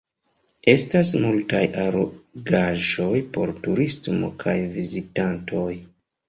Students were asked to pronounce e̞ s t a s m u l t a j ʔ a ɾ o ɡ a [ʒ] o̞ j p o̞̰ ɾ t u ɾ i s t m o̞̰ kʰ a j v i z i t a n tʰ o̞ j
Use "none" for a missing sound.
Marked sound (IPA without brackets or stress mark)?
ʒ